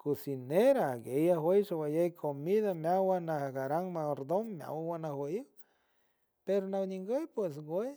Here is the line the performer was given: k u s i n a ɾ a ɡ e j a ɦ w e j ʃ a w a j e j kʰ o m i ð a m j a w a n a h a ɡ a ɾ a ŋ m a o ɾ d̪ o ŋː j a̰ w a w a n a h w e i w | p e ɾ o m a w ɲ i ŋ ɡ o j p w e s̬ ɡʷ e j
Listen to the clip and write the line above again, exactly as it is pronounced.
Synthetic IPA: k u s i n e ɾ a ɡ e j a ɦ w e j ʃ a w a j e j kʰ o m i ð a m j a w a n a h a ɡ a ɾ a ŋ m a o ɾ d̪ o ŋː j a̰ w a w a n a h w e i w | p e ɾ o n a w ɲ i ŋ ɡ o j p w e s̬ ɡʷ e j